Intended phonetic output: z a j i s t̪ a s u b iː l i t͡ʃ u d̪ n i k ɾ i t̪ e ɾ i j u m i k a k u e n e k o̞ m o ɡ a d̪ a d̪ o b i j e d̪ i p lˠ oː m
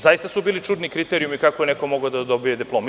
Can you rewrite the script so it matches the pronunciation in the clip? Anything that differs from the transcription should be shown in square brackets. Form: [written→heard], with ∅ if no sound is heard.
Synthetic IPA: z a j i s t̪ a s u b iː l i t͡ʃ u d̪ n i k ɾ i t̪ e ɾ i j u m i k a k [u→o] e n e k o̞ m o ɡ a d̪ a d̪ o b i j e d̪ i p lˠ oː m